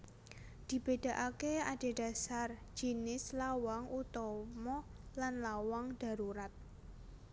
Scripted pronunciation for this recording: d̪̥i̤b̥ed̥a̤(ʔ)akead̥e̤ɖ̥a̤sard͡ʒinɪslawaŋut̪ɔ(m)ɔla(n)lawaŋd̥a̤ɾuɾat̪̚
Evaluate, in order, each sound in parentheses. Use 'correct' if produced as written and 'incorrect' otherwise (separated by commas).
correct, correct, correct